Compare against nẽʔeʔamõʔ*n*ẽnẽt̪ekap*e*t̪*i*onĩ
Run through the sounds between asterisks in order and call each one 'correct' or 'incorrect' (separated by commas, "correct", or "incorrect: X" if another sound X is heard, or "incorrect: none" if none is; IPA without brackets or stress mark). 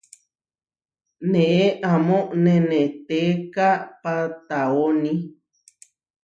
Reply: correct, incorrect: a, incorrect: a